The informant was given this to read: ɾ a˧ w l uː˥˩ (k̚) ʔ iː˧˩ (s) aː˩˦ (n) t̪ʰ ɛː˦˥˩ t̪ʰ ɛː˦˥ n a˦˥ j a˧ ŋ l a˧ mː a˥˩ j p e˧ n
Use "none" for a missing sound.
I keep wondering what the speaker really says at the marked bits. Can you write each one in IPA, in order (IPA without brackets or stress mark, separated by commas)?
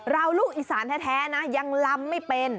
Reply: k̚, s, n